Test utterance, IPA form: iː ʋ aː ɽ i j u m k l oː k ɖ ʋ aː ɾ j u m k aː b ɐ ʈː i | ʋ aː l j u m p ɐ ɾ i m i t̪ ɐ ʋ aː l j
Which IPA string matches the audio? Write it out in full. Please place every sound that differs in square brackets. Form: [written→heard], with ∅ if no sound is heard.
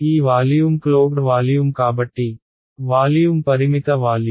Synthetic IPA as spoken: iː ʋ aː [ɽ→l] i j u m k l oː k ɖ ʋ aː [ɾ→l] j u m k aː b ɐ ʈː i | ʋ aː l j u m p ɐ ɾ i m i t̪ ɐ ʋ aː l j